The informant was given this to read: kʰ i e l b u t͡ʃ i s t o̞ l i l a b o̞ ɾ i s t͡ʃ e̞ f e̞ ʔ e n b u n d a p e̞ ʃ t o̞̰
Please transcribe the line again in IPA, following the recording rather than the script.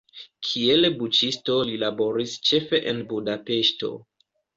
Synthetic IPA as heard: kʰ i e l b u t͡ʃ i s t o̞ l i l a b o̞ ɾ i s t͡ʃ e̞ f e̞ ʔ e n b u d a p e̞ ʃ t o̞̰